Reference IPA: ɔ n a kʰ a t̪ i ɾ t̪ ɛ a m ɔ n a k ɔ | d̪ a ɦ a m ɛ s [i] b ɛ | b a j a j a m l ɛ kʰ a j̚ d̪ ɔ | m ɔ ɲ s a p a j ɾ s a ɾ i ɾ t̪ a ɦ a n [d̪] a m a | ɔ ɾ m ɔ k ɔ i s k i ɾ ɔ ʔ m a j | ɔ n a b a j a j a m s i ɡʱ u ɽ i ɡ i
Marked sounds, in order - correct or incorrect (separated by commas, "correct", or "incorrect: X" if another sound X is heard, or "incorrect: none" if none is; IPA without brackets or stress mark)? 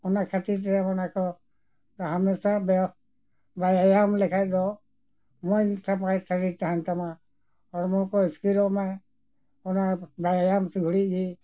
incorrect: a, incorrect: t̪